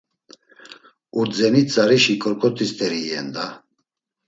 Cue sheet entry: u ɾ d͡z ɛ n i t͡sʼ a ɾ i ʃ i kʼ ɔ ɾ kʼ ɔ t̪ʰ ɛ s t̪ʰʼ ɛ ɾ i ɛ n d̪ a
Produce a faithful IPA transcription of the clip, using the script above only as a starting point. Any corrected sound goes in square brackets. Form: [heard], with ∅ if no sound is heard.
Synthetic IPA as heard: u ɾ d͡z ɛ n i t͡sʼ a ɾ i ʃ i kʼ ɔ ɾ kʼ ɔ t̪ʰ [i] s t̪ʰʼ ɛ ɾ i ɛ n d̪ a